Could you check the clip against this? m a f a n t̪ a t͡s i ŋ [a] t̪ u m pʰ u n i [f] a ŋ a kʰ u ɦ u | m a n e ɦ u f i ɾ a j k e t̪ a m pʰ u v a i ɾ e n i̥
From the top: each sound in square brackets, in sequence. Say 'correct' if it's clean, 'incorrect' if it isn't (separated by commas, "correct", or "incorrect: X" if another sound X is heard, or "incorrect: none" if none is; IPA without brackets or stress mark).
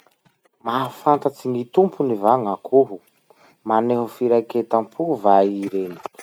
incorrect: i, incorrect: v